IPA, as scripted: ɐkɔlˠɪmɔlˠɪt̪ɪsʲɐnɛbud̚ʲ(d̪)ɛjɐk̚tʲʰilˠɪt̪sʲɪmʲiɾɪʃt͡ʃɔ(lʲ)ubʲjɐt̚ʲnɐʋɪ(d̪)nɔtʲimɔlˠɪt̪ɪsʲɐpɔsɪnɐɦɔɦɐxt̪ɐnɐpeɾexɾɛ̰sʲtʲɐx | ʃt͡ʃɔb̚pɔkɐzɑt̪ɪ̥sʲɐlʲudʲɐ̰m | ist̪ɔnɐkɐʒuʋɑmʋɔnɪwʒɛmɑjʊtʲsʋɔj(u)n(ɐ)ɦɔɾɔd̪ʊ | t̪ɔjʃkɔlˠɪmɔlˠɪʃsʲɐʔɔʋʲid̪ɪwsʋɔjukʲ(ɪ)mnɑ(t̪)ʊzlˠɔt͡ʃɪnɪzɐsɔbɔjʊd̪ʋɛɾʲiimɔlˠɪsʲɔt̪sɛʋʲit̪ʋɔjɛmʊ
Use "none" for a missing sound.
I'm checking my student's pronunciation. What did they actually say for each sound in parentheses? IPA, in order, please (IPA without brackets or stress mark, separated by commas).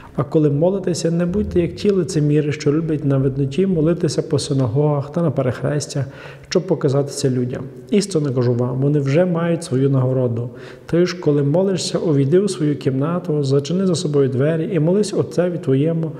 t̪, lʲ, d̪, u, ɐ, i, t̪